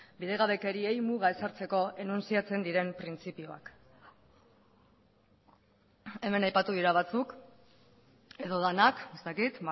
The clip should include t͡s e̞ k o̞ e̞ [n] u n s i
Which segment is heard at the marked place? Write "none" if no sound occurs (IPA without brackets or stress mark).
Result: n